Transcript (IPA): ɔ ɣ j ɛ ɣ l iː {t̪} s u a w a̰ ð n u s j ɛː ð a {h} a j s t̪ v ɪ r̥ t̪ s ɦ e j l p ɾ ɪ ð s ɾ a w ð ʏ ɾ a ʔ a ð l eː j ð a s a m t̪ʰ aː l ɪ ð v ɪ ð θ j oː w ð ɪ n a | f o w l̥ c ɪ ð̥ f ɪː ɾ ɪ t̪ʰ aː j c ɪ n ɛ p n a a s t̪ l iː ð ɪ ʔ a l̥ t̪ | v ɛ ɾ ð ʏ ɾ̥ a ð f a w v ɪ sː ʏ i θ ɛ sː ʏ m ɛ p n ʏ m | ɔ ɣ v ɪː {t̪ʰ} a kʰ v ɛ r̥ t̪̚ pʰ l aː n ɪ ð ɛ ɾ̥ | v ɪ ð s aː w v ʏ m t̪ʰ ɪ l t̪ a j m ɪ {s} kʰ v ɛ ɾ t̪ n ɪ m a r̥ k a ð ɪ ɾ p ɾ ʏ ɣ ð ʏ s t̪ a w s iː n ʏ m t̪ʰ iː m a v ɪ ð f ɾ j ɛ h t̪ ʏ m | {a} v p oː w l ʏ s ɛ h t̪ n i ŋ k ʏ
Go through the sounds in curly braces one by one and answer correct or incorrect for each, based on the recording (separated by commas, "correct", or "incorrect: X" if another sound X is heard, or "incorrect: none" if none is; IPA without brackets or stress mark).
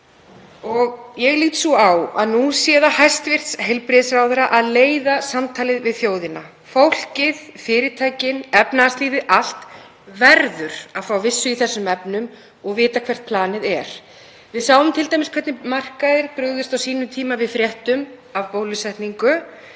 correct, correct, incorrect: t̪, correct, correct